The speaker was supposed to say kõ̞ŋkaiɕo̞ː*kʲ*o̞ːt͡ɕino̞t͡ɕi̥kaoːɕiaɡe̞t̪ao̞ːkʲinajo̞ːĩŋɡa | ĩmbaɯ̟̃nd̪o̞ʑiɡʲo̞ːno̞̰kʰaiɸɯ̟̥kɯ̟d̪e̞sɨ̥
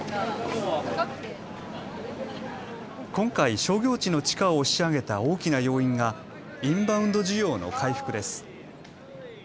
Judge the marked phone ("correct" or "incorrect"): incorrect